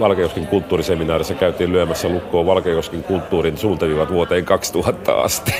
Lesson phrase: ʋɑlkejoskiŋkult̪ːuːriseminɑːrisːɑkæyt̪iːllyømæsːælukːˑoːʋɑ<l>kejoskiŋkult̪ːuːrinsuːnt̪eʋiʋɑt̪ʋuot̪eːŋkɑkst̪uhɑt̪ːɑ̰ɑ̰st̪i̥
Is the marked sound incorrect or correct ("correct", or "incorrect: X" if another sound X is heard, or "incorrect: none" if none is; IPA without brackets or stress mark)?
correct